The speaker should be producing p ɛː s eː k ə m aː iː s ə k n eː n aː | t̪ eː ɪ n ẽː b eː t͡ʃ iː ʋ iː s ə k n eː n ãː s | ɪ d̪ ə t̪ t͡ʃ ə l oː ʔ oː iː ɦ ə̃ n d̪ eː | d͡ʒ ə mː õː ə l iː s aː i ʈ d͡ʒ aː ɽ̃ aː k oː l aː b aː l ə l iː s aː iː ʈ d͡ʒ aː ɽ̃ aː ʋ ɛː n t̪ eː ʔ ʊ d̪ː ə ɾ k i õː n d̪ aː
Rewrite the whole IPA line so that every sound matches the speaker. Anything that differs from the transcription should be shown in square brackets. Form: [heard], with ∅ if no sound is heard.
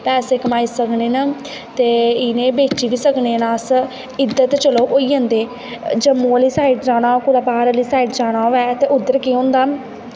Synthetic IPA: p ɛː s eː k ə m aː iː s ə k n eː n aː | t̪ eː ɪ n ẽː b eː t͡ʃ iː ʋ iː s ə k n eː n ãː s | ɪ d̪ ə t̪ t͡ʃ ə l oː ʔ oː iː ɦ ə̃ n d̪ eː | d͡ʒ ə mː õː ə l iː s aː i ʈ d͡ʒ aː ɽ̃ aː k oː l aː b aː [ɾ] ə l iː s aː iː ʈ d͡ʒ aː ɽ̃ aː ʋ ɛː [∅] t̪ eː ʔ ʊ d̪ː ə ɾ k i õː n d̪ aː